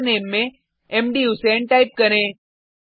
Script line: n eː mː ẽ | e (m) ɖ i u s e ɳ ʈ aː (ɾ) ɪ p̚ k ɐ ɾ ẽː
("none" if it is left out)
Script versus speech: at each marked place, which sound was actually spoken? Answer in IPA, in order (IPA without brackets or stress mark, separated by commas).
m, none